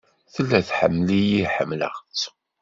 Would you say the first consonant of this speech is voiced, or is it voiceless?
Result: voiceless